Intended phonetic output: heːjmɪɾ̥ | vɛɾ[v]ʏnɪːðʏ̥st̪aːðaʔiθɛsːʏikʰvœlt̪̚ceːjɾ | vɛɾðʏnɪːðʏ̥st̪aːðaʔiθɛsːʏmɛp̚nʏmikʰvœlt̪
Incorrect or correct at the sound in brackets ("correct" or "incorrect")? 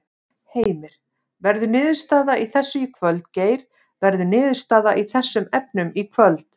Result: incorrect